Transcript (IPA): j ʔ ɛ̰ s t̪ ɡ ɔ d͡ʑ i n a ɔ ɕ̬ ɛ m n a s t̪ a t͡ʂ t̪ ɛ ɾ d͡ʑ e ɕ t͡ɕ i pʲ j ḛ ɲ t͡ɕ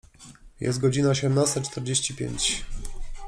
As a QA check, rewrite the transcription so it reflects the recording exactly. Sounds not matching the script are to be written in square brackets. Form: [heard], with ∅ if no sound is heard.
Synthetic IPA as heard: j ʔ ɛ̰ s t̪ ɡ ɔ d͡ʑ i n a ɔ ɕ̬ ɛ m n a s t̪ a t͡ʂ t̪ ɛ ɾ d͡ʑ e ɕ t͡ɕ i pʲ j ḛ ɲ t͡ɕ